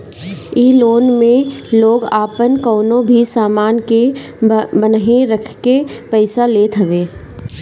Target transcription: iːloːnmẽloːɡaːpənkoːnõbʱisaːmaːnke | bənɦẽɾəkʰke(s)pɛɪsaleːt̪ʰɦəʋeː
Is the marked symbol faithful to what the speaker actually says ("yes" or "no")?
no